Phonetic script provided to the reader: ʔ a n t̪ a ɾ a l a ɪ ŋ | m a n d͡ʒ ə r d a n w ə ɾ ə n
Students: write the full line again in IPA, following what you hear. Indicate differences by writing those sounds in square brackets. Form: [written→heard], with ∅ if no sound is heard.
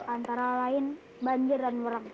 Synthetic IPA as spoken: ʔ a n t̪ a ɾ a l a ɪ [ŋ→n] | [m→b] a [n→ɲ] d͡ʒ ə r d a n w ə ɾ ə [n→ŋ]